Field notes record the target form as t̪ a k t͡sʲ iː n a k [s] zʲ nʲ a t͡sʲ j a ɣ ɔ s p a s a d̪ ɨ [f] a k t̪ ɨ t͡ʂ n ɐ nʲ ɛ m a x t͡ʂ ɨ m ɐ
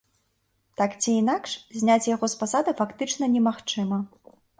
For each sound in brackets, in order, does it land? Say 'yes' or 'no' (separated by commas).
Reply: no, yes